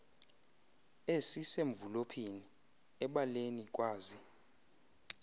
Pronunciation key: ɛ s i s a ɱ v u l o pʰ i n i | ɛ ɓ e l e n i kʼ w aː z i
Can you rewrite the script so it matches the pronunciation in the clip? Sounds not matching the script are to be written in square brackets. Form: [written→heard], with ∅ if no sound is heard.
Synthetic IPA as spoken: [ɛ→e] s i s [a→e] ɱ v u l o pʰ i n i | ɛ ɓ [e→a] l e n i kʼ w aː z i